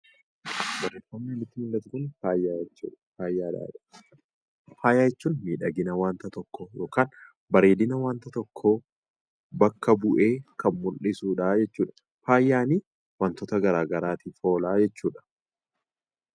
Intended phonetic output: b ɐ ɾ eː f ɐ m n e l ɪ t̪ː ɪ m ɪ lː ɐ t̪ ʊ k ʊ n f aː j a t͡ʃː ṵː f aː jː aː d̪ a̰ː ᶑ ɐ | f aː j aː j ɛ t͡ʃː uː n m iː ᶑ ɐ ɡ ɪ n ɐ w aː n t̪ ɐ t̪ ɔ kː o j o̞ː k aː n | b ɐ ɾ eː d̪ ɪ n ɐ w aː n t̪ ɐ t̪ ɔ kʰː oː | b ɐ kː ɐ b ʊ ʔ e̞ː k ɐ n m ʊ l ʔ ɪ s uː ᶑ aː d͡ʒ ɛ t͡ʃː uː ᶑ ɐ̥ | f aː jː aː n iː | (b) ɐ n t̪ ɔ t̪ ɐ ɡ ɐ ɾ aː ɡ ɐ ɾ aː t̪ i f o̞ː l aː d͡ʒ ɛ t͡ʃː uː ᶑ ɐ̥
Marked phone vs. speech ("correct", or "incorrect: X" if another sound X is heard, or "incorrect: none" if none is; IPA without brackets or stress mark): incorrect: w